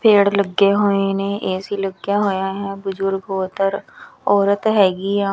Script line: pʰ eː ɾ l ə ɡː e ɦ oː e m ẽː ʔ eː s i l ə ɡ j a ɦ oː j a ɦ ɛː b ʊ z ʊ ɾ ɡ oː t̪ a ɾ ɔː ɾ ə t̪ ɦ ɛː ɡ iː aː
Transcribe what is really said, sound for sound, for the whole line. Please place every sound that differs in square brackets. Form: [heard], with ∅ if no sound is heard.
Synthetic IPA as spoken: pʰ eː [ɽ] l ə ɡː e ɦ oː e [n] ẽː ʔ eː s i l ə ɡ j a ɦ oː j a ɦ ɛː b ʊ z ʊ ɾ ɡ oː t̪ [ə] ɾ ɔː ɾ ə t̪ ɦ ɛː ɡ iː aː